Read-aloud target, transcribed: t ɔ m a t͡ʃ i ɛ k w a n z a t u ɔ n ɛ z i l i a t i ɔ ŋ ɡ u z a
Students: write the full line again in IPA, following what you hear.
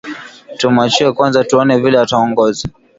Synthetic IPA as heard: t u m a t͡ʃ i ɛ k w a n z a t u ɔ n ɛ v i l ɛ a t a ɔ ŋ ɡ ɔ z a